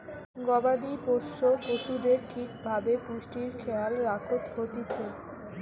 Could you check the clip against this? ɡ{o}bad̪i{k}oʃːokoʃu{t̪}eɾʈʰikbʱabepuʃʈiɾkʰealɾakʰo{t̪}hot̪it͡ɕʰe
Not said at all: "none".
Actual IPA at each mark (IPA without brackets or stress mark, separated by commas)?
ɔ, p, d̪, t̪